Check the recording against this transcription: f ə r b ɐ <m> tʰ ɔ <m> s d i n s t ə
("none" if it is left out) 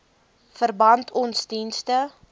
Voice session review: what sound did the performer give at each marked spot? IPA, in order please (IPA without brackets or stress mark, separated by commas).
n, n